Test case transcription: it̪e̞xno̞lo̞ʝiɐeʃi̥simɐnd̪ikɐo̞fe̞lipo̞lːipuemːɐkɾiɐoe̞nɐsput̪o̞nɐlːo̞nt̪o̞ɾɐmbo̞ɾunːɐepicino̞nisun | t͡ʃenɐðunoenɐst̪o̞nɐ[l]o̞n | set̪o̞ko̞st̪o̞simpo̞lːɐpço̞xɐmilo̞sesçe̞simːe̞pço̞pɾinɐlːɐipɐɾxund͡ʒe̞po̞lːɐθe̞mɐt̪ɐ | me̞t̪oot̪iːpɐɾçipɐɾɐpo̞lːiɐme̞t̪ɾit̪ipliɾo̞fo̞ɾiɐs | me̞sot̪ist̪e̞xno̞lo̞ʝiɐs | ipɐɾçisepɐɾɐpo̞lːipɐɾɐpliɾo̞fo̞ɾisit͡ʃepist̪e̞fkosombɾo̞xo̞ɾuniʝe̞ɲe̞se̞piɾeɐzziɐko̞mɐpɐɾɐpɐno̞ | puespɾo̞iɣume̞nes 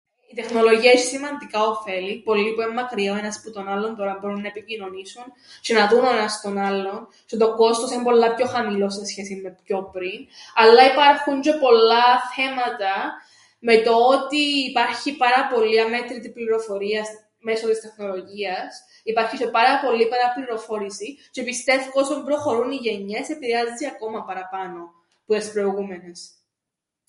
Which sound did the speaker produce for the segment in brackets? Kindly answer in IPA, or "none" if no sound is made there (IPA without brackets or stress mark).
lː